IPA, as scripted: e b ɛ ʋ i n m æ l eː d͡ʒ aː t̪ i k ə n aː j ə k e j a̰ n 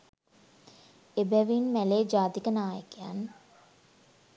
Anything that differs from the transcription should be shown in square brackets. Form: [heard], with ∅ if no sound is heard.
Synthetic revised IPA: e b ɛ ʋ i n m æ l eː d͡ʒ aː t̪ i k ə n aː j ə k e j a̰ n